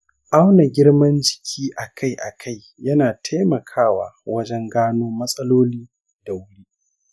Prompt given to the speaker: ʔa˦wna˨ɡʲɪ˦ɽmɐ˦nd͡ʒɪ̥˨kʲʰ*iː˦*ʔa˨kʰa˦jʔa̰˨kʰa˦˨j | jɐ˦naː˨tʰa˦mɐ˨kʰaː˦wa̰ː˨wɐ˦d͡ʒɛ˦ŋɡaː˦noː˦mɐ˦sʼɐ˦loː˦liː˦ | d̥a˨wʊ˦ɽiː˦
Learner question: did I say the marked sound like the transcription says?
yes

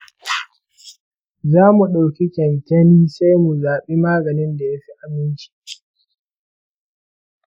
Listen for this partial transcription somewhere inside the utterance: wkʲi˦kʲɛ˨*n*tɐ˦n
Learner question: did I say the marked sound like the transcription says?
yes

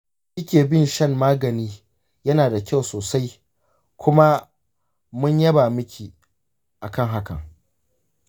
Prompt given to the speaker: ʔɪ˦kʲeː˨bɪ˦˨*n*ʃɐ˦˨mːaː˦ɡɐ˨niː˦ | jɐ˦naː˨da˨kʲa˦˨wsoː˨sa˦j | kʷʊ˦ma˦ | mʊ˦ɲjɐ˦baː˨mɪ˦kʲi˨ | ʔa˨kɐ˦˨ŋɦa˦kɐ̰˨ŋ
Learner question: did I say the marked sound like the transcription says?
yes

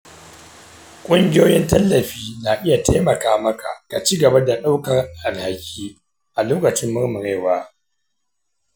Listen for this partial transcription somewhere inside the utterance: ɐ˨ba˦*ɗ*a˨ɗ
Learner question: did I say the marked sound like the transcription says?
no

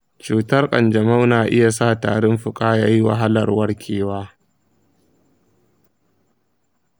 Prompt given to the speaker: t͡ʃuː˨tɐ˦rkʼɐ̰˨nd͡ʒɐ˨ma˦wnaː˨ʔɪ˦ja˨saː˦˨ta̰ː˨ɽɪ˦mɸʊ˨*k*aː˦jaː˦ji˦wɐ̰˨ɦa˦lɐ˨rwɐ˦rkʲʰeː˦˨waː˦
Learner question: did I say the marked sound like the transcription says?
no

